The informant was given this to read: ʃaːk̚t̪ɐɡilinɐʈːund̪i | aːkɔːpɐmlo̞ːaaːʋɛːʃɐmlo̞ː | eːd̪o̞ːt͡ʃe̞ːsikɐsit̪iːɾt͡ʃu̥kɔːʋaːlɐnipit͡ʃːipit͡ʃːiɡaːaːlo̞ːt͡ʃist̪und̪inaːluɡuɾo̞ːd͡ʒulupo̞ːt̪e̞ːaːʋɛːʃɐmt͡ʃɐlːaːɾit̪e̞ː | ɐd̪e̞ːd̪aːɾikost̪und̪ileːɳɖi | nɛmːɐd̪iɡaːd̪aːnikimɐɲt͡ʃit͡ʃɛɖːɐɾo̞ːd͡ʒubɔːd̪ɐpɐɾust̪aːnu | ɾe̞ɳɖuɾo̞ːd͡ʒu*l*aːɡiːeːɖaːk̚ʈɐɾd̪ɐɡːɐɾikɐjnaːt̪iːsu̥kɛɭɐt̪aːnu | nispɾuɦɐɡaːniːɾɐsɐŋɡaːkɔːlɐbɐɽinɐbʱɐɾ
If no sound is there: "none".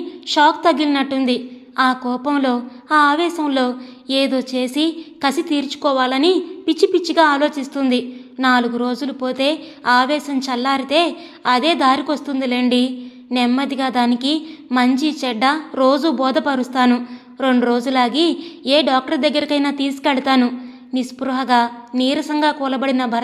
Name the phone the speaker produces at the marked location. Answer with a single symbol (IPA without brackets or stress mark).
l